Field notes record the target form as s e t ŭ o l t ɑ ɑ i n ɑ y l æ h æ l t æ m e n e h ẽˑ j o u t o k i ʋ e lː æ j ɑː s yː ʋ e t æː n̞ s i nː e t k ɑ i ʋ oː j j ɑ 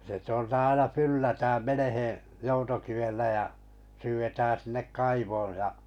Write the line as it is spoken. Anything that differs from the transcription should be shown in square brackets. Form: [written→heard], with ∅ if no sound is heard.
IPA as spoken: s e t ŭ o l t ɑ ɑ i n ɑ y l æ h æ l t æ m e n e h ẽˑ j o u t o k i ʋ e lː æ j [ɑː→ɑ] s yː ʋ e t æː n̞ s i nː e [t→k] k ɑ i ʋ oː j j ɑ